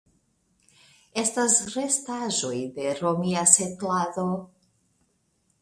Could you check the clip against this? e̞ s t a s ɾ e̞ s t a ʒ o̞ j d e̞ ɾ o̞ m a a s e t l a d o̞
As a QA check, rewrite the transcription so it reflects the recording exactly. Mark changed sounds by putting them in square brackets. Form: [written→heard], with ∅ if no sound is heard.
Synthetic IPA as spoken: e̞ s t a s ɾ e̞ s t a ʒ o̞ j d e̞ ɾ o̞ m [a→i] a s e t l a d o̞